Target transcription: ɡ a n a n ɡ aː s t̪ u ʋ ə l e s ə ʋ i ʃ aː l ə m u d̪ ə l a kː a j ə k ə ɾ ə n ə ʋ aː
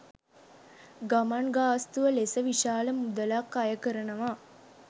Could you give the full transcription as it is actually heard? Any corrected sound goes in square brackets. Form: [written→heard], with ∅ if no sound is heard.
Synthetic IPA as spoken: ɡ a [n→m] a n ɡ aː s t̪ u ʋ ə l e s ə ʋ i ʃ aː l ə m u d̪ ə l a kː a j ə k ə ɾ ə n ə ʋ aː